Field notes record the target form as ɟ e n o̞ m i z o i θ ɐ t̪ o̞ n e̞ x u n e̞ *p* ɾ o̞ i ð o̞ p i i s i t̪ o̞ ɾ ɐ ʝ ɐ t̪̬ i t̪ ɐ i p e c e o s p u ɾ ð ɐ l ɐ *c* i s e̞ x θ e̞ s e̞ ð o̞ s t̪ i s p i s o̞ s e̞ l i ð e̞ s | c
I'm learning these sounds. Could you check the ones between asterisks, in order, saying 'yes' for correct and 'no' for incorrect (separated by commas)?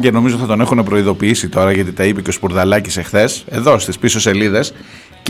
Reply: yes, yes